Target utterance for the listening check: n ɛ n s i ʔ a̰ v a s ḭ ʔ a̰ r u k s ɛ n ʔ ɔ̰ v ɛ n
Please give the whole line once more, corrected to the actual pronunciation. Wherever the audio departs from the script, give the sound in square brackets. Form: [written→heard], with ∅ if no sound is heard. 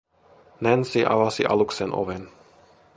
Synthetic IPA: n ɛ n s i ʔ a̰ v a s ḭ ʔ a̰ [r→l] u k s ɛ n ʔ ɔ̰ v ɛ n